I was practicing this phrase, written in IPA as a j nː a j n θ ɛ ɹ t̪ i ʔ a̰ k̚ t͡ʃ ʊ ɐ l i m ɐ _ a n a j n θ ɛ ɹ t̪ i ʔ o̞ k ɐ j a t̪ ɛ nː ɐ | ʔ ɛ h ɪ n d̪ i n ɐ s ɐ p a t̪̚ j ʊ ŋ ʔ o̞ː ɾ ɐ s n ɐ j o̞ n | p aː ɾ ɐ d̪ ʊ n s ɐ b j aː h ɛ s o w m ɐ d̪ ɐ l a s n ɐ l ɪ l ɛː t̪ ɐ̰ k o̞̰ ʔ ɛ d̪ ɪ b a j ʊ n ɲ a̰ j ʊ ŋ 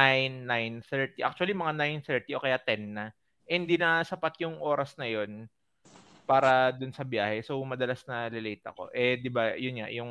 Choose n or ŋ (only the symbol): ŋ